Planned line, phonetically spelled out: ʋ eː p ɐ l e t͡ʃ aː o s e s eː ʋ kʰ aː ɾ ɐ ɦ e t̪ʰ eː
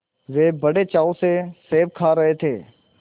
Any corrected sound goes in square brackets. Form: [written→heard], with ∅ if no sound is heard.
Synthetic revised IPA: ʋ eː [p→b] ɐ [l→ɽ] e t͡ʃ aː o s e s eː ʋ kʰ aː ɾ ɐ ɦ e t̪ʰ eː